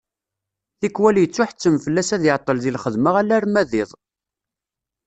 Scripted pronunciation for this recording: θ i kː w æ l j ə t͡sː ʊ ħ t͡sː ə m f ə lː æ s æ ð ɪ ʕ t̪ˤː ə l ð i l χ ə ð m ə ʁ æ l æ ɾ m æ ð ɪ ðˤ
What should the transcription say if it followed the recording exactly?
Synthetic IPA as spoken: θ i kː w æ l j ə t͡sː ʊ ħ t͡sː ə m f ə lː æ s æ ð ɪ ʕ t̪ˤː ə l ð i l χ ə ð m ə ʁ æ l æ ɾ m æ ð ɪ ðˤ